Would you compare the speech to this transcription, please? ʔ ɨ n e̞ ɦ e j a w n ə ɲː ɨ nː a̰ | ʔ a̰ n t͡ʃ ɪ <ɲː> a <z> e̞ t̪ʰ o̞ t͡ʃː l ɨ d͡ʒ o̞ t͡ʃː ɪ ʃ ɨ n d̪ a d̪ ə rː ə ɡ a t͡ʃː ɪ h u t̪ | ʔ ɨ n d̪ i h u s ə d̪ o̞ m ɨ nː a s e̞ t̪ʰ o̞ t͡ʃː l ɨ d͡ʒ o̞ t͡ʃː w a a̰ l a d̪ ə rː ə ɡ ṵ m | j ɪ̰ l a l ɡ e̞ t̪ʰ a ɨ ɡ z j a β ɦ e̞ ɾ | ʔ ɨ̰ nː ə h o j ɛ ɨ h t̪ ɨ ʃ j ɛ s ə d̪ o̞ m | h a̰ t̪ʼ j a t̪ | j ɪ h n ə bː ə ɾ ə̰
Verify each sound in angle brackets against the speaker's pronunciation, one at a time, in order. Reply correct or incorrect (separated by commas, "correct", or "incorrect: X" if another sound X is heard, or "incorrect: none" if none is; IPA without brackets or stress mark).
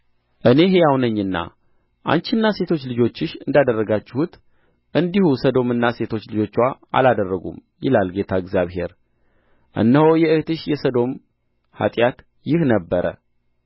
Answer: incorrect: nː, incorrect: s